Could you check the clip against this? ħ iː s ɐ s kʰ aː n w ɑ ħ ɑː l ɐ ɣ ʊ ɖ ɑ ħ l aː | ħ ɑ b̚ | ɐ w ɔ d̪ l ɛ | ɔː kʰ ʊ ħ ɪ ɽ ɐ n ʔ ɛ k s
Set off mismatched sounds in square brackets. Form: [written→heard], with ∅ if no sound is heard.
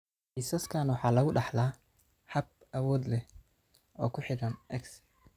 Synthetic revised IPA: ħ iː s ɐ s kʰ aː n w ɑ ħ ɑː l ɐ ɣ ʊ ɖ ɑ ħ l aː | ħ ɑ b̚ | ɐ w [ɔ→ɔː] d̪ l ɛ | ɔː kʰ ʊ ħ ɪ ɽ ɐ n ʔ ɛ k s